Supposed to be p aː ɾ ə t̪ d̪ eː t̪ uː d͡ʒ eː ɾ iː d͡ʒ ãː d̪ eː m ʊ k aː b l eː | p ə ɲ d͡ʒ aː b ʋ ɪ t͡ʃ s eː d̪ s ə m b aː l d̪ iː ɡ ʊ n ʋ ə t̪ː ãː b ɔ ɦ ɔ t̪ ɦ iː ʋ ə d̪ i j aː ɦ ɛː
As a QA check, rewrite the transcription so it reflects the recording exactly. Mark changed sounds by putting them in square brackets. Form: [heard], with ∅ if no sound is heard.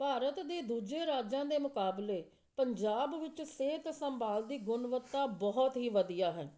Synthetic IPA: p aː ɾ ə t̪ d̪ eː [d̪] uː d͡ʒ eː ɾ [aː] d͡ʒ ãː d̪ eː m ʊ k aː b l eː | p ə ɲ d͡ʒ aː b ʋ ɪ t͡ʃ s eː [t̪] s ə m b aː l d̪ iː ɡ ʊ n ʋ ə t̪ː [aː] b ɔ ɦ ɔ t̪ ɦ iː ʋ ə d̪ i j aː ɦ ɛː

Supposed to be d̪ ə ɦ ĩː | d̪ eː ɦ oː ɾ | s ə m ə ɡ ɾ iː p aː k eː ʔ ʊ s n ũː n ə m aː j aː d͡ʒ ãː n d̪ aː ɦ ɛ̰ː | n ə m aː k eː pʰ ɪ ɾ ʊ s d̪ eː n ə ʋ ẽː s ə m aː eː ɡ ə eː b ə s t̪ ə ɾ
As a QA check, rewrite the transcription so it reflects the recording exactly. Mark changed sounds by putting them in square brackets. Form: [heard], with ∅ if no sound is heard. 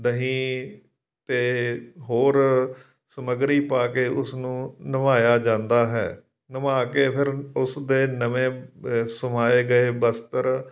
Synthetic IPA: d̪ ə ɦ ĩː | [t̪] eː ɦ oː ɾ | s ə m ə ɡ ɾ iː p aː k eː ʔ ʊ s n ũː n ə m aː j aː d͡ʒ ãː n d̪ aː ɦ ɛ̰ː | n ə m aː k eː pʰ ɪ ɾ ʊ s d̪ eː n ə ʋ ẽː s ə m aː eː ɡ ə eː b ə s t̪ ə ɾ

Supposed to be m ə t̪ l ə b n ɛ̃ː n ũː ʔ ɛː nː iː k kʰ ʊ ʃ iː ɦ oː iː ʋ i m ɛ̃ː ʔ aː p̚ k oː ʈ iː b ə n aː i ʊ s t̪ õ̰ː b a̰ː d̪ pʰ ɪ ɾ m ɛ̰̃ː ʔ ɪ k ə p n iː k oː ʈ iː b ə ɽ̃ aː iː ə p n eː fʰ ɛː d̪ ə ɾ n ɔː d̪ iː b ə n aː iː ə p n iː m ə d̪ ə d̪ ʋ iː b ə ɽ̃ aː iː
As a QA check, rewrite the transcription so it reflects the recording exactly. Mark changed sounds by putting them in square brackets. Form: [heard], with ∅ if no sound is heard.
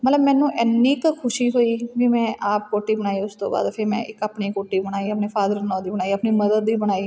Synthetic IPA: m ə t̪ l ə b [m] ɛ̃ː n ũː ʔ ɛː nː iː k kʰ ʊ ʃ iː ɦ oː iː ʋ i m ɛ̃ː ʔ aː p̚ k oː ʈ iː b ə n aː i ʊ s t̪ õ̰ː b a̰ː d̪ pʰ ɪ ɾ m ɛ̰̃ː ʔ ɪ k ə p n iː k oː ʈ iː b ə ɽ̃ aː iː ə p n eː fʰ [aː] d̪ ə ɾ n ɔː d̪ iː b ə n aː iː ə p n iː m ə d̪ ə d̪ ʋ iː b ə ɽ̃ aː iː

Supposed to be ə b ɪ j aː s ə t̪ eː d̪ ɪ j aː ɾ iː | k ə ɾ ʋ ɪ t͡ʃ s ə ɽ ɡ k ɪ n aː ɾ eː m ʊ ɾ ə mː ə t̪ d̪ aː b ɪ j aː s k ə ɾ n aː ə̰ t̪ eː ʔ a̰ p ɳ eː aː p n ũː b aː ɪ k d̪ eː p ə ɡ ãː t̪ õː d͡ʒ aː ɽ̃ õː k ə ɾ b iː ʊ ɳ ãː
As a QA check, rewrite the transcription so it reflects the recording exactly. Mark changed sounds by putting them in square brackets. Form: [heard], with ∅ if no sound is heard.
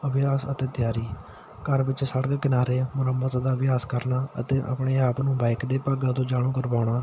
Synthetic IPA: ə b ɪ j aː s ə t̪ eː [t̪] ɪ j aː ɾ iː | k ə ɾ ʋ ɪ t͡ʃ s ə ɽ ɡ k ɪ n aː ɾ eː m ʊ ɾ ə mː ə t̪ d̪ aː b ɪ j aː s k ə ɾ n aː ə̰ t̪ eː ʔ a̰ p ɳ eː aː p n ũː b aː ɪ k d̪ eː p ə ɡ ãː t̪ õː d͡ʒ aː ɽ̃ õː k ə ɾ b [aː] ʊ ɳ [aː]

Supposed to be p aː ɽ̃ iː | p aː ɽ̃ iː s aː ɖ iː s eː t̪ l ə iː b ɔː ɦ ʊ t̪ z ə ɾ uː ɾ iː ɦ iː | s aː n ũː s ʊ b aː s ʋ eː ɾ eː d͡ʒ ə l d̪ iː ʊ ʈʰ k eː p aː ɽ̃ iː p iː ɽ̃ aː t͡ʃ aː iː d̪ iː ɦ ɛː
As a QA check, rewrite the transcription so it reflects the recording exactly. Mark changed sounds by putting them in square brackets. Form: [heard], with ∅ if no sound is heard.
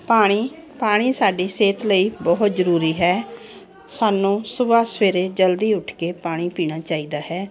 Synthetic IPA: p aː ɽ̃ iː | p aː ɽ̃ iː s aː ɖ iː s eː t̪ l ə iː b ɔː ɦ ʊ t̪ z ə ɾ uː ɾ iː ɦ [ɛː] | s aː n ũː s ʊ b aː s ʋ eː ɾ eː d͡ʒ ə l d̪ iː ʊ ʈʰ k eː p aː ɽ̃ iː p iː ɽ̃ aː t͡ʃ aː iː d̪ [aː] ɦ ɛː

